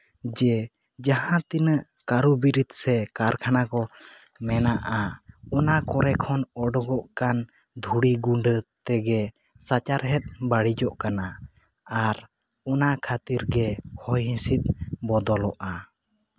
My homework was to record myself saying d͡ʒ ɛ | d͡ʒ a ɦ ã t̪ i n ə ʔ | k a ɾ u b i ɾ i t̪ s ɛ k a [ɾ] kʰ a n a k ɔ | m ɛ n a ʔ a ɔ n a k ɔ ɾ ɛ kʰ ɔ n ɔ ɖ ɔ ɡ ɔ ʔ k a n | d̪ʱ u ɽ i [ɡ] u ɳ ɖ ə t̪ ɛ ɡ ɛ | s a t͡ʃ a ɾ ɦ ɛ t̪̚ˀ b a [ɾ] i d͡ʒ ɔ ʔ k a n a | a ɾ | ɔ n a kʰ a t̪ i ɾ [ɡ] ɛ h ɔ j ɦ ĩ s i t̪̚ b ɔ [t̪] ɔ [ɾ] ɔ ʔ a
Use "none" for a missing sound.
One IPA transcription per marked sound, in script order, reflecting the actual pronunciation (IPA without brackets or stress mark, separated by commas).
ɾ, ɡ, ɽ, ɡ, d̪, l